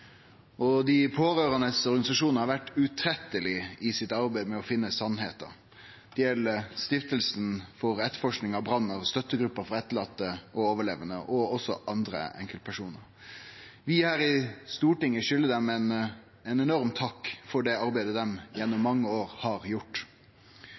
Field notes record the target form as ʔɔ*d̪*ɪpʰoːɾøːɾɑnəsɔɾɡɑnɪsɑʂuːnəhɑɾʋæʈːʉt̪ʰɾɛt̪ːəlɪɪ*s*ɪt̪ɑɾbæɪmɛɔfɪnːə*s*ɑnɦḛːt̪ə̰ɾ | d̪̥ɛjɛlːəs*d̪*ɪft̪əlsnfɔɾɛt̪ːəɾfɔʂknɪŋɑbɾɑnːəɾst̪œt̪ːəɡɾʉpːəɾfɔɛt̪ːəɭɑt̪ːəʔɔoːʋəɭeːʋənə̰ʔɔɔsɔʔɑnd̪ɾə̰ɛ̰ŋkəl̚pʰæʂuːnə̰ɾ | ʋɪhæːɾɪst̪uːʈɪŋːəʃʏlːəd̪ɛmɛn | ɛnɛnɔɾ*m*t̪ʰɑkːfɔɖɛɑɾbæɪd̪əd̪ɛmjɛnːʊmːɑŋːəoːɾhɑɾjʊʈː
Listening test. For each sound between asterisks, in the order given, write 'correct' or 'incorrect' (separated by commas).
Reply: correct, correct, correct, incorrect, correct